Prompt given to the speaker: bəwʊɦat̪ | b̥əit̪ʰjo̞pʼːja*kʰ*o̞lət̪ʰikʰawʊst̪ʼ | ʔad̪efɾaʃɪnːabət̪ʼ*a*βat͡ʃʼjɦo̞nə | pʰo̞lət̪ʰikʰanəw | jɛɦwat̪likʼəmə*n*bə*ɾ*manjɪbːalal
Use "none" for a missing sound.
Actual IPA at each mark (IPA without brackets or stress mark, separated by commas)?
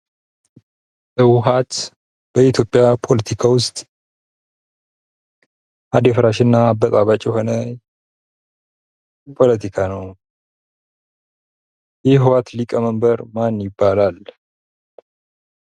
pʰ, a, m, ɾ